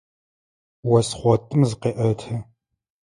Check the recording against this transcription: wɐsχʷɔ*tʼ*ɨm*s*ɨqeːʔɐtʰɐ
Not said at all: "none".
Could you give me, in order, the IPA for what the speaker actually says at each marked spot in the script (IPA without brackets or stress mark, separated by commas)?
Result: tʼ, z